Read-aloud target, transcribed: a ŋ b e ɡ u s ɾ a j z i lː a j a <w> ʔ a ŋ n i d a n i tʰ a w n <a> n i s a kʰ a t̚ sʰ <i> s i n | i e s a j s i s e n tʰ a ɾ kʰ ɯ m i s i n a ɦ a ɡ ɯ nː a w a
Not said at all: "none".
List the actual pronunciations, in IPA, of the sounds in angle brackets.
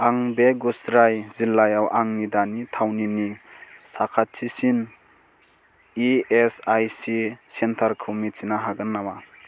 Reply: w, i, i

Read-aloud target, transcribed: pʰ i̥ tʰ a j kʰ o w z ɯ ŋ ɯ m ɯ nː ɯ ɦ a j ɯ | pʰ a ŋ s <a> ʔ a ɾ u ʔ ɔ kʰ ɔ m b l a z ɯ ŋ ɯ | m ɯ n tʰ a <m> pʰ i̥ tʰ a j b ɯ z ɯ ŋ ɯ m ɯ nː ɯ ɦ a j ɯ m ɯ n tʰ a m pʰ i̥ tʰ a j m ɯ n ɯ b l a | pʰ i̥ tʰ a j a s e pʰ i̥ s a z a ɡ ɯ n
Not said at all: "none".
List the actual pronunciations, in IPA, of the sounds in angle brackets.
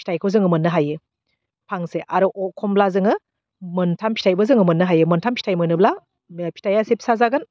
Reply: e, m

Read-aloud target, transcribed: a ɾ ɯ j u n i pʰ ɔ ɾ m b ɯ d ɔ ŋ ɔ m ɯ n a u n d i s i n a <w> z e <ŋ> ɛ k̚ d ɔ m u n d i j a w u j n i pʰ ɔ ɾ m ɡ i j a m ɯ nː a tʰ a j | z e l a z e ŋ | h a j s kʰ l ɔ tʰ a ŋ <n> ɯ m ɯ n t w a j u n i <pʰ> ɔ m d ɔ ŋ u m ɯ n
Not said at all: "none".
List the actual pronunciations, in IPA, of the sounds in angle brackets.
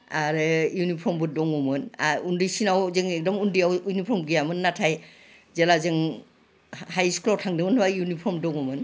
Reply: w, ŋ, d, pʰ

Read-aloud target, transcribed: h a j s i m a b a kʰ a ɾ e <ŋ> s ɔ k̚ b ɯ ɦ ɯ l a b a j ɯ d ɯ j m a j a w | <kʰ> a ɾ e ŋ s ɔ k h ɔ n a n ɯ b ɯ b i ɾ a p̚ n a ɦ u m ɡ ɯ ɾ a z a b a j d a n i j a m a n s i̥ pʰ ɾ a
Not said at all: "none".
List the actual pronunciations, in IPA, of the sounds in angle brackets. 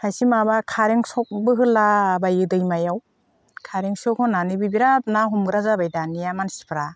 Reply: ŋ, kʰ

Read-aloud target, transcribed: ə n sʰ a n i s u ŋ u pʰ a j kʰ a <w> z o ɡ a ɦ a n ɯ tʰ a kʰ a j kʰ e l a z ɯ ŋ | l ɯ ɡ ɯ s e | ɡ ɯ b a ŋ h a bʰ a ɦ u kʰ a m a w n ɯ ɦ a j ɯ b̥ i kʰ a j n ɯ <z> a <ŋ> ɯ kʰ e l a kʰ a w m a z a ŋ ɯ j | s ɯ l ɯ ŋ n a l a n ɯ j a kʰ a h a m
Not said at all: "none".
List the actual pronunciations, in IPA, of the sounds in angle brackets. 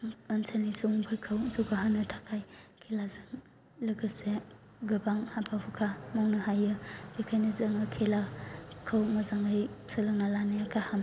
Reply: w, z, ŋ

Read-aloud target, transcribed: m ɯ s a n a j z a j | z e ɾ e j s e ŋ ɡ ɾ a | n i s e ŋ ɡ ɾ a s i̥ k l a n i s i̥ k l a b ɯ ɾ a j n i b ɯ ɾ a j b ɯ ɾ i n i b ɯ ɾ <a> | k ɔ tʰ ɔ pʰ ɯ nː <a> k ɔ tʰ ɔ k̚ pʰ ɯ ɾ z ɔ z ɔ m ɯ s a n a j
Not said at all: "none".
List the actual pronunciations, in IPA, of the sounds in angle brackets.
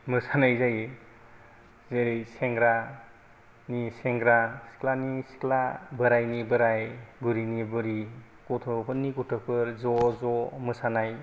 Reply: i, i

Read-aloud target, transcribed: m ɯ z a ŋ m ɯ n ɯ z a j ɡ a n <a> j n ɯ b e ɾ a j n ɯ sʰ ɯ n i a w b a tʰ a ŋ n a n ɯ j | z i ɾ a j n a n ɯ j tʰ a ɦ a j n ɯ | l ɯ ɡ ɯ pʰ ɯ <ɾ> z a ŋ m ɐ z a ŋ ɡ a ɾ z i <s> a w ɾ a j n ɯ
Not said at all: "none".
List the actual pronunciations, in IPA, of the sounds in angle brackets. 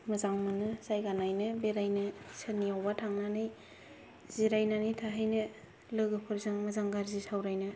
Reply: a, ɾ, s

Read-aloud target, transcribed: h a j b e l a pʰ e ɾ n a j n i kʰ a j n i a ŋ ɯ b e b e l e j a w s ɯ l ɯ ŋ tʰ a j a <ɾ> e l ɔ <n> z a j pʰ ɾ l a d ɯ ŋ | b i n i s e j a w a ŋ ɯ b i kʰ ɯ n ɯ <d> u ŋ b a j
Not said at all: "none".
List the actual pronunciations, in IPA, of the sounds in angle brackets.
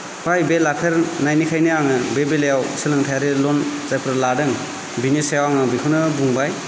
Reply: ɾ, n, b

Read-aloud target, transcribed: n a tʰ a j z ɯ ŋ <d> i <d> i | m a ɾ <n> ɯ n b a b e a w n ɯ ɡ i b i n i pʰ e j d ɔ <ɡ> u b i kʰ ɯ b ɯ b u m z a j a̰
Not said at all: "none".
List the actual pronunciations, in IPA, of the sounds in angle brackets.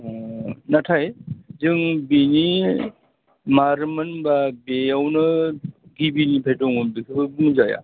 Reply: b, n, m, ŋ

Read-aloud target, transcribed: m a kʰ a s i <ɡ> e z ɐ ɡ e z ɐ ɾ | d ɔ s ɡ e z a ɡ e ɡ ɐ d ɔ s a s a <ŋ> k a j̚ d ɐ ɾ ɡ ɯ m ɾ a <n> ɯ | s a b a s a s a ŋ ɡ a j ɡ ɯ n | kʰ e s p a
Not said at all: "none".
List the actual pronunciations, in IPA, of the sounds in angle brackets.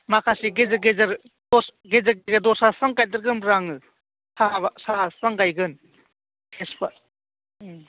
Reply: ɡ, ŋ, ŋ

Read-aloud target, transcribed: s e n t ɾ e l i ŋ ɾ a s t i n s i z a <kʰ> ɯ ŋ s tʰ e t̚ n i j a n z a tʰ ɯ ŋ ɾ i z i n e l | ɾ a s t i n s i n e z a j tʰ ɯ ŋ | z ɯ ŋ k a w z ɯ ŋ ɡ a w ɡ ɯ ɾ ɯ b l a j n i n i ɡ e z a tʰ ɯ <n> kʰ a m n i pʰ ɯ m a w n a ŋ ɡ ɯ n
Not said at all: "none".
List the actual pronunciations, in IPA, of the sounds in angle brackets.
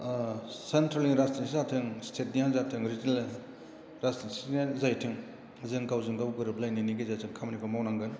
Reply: tʰ, ŋ

